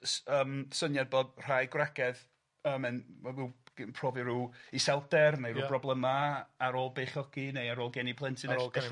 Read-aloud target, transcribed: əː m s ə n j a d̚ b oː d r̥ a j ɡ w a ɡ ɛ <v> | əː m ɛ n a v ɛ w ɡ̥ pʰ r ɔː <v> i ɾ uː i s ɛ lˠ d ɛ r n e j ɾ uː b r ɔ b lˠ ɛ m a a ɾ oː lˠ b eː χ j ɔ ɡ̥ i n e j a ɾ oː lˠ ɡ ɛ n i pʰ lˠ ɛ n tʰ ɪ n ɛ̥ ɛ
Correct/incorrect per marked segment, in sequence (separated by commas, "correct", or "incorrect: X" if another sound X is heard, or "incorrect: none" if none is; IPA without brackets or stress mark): incorrect: ð, correct